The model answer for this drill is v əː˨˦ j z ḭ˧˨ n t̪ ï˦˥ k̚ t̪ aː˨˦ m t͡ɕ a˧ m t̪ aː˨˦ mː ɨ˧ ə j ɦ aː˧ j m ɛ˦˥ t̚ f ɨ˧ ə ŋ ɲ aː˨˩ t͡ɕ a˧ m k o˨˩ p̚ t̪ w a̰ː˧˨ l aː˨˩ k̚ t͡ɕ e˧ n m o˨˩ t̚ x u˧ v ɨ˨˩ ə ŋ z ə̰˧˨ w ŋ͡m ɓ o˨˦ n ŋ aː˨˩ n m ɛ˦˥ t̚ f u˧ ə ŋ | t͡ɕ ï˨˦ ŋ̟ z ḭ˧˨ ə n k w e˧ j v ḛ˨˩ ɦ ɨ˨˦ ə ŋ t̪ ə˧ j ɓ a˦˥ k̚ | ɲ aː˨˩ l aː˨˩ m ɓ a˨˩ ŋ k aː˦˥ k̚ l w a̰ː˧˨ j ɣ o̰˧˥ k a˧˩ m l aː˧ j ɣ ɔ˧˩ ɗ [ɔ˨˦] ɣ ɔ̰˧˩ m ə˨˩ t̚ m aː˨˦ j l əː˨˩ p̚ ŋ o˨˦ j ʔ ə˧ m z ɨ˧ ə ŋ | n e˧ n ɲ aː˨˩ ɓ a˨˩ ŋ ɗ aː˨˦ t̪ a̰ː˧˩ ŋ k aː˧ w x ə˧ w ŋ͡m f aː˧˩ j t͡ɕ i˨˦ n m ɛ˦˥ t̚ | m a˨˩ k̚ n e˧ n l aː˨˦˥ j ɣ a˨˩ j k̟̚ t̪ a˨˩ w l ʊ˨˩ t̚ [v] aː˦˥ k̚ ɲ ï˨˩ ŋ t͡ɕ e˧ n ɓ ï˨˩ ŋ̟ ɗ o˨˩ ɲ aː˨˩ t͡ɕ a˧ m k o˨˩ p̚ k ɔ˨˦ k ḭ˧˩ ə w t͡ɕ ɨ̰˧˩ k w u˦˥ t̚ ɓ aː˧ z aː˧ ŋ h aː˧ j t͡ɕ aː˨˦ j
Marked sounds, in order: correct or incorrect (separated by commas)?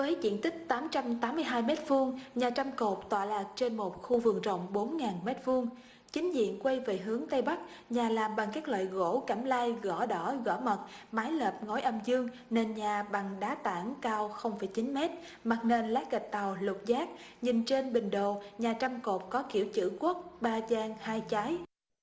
incorrect, incorrect